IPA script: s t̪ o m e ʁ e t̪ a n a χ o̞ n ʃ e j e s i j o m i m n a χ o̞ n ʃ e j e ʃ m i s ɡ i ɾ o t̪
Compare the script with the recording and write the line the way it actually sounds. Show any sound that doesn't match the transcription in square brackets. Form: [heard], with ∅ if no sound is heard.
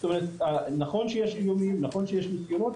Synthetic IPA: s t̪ o m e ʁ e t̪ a n a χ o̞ n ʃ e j e [ʃ] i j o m i m n a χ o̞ n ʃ e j e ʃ m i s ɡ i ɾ o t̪